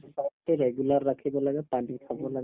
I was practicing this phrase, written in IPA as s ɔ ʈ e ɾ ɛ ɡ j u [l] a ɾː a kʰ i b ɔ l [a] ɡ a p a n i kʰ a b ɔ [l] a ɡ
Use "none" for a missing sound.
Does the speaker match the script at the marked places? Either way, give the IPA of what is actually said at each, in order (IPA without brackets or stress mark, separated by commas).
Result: l, a, l